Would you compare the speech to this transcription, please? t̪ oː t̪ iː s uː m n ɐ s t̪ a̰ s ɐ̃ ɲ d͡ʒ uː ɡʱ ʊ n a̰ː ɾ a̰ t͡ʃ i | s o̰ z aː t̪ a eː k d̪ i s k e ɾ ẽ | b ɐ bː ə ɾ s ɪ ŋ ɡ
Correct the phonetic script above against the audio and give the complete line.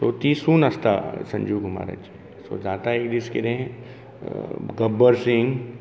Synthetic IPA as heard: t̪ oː t̪ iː s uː n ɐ s t̪ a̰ s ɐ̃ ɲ d͡ʒ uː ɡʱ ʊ m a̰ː ɾ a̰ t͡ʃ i | s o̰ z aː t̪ a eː k d̪ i s k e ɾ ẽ | ɡ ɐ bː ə ɾ s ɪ ŋ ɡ